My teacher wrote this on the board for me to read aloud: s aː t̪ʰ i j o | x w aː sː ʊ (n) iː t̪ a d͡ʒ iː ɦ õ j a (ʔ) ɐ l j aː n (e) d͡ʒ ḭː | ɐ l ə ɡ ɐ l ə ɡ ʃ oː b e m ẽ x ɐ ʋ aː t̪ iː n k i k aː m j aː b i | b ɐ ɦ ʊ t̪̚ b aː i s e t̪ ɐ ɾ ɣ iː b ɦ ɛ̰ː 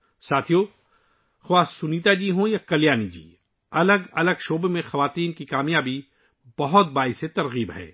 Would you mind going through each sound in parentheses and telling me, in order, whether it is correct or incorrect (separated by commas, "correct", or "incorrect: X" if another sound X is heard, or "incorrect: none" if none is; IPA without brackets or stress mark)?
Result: correct, incorrect: k, incorrect: i